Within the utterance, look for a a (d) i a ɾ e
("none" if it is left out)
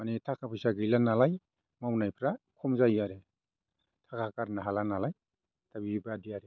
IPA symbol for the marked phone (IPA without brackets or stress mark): d